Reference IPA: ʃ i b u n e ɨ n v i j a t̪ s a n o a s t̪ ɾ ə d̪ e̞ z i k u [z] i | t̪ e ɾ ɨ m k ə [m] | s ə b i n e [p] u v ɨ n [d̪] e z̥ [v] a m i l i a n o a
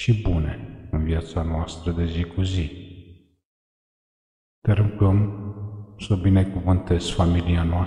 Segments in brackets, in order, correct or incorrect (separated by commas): correct, correct, incorrect, incorrect, incorrect